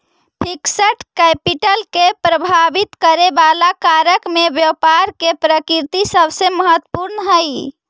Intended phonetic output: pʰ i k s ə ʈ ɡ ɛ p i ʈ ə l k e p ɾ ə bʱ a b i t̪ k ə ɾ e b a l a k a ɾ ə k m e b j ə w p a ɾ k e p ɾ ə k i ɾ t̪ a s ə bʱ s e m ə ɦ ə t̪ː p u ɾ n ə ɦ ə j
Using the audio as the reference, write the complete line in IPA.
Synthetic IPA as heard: pʰ i k s ə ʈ k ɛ p i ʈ ə l k e p ɾ ə bʱ a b i t̪ k ə ɾ e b a l a k a ɾ ə k m e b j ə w p a ɾ k e p ɾ ə k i ɾ t̪ i s ə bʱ s e m ə ɦ ə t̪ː p u ɾ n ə ɦ ə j